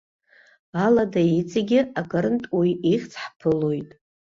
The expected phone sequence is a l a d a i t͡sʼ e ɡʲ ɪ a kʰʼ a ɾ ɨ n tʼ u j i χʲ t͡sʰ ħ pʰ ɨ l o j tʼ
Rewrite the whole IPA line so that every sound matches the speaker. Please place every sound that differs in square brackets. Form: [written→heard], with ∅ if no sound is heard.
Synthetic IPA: a l a d a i t͡sʼ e ɡʲ ɪ a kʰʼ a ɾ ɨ n tʼ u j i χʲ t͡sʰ ħ pʰ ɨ l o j tʼ